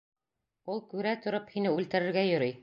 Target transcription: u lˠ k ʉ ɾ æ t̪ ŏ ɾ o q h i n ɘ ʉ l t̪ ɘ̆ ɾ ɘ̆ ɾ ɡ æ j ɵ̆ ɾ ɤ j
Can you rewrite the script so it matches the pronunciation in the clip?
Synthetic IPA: u lˠ k ʉ ɾ æ t̪ ŏ ɾ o p h i n ɘ ʉ l t̪ ɘ̆ ɾ ɘ̆ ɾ ɡ æ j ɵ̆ ɾ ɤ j